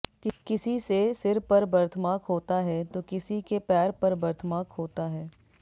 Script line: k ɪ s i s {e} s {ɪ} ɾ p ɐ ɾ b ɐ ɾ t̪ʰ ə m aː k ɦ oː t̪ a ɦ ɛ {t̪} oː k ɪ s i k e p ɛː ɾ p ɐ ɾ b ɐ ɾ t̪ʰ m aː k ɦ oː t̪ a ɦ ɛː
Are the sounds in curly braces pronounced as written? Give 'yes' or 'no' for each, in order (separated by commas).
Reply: yes, yes, yes